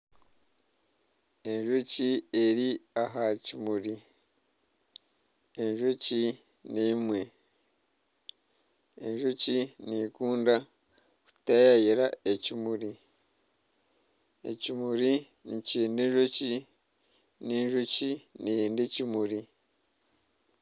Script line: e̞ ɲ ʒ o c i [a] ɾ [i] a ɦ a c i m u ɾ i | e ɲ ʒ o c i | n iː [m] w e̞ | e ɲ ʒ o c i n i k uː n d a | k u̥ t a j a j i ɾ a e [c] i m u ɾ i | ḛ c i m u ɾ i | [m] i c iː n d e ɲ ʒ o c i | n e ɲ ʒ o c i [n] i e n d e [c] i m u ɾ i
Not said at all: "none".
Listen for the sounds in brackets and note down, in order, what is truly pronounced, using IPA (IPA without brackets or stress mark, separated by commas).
e, i, m, c, n, n, c